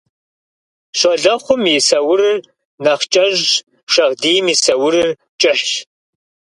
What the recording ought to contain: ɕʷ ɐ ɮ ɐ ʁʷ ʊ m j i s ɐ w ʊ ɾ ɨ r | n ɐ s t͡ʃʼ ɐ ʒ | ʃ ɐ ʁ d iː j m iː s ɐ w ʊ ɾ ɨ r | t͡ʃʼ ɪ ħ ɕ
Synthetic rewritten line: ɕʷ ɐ ɮ ɐ χʷ ʊ m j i s ɐ w ʊ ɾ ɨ r | n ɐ χ t͡ʃʼ ɐ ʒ | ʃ ɐ ʁ d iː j m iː s ɐ w ʊ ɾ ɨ r | t͡ʃʼ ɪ ħ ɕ